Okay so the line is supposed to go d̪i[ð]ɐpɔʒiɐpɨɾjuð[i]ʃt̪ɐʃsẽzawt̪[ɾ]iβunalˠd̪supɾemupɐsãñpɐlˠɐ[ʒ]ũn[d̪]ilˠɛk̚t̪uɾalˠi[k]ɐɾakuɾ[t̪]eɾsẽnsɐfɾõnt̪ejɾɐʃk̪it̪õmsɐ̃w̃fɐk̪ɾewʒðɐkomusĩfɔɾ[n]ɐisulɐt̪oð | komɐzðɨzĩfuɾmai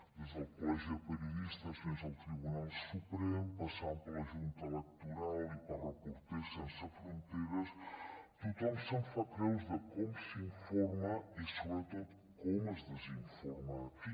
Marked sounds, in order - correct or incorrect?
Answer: incorrect: z, correct, correct, correct, incorrect: t̪, incorrect: p, correct, incorrect: m

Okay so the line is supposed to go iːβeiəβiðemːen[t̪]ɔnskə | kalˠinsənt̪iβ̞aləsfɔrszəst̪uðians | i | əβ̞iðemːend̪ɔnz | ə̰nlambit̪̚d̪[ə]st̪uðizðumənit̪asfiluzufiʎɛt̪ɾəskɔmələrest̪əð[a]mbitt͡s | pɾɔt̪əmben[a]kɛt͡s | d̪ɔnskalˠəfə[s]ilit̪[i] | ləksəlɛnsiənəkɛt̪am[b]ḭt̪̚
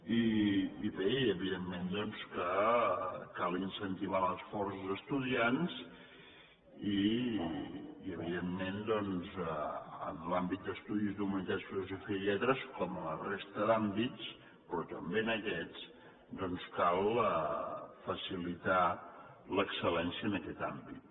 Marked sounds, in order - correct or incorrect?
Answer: incorrect: d̪, correct, correct, incorrect: ə, correct, incorrect: a, correct

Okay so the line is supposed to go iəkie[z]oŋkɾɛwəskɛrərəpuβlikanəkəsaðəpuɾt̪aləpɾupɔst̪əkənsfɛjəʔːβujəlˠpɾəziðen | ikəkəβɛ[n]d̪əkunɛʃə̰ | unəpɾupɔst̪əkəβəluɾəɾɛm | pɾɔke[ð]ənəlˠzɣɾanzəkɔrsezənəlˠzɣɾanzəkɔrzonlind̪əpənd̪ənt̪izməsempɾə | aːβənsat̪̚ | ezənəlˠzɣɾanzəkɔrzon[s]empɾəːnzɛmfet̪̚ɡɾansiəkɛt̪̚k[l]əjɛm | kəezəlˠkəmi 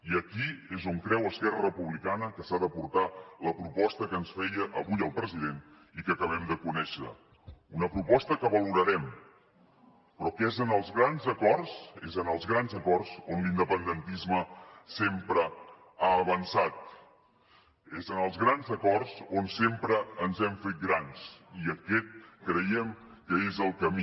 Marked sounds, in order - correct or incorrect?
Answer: correct, incorrect: m, incorrect: z, correct, incorrect: ɾ

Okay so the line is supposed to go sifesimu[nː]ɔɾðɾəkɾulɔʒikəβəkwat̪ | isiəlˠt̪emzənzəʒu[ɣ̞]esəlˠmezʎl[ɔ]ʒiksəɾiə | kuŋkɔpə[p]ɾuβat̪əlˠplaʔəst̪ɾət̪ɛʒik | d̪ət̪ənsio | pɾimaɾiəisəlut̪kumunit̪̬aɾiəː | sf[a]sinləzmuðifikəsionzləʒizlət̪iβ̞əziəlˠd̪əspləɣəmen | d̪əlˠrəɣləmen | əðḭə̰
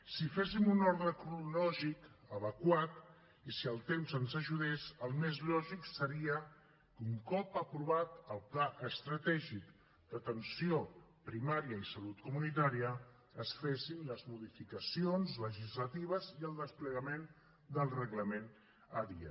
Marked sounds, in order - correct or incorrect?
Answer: incorrect: n, incorrect: ð̞, correct, correct, incorrect: e

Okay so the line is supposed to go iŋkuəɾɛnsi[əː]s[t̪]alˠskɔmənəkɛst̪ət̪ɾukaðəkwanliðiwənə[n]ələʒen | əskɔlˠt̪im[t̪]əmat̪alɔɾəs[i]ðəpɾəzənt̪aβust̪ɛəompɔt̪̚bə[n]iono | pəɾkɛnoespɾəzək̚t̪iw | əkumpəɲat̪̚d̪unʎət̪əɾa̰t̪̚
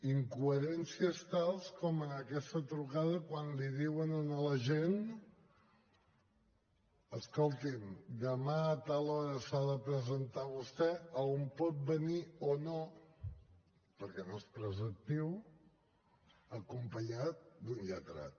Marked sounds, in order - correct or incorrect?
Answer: incorrect: ə, correct, correct, incorrect: d̪, incorrect: a, correct

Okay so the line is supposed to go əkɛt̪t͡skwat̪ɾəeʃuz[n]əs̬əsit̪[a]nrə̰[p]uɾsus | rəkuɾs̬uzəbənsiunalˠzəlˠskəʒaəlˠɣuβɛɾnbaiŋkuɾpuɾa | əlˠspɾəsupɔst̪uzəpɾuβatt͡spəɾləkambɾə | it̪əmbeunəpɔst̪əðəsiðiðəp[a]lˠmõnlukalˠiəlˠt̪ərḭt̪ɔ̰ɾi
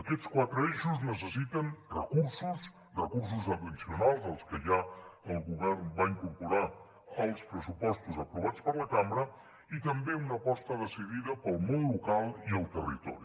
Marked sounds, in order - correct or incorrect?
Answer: correct, incorrect: ə, incorrect: k, incorrect: ə

